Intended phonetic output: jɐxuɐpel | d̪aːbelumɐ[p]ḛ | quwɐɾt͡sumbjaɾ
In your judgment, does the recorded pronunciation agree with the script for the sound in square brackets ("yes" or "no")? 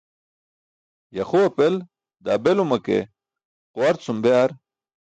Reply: no